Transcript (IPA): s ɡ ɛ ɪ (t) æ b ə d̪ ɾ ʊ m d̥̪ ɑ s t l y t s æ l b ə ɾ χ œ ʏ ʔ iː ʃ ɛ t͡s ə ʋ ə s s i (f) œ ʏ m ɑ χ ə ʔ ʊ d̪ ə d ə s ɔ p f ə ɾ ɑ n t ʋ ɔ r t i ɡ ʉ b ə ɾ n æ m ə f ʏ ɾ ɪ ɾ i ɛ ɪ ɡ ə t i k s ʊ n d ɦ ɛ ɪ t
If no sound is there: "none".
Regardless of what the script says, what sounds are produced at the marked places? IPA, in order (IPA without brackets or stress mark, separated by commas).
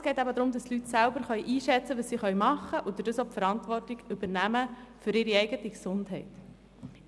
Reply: t, χ